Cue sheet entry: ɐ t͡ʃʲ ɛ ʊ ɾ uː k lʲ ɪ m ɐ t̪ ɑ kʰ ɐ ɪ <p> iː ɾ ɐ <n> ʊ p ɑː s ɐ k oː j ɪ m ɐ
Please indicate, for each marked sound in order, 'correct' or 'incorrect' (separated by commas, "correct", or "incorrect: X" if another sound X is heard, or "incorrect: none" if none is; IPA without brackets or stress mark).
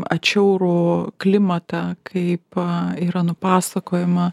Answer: correct, correct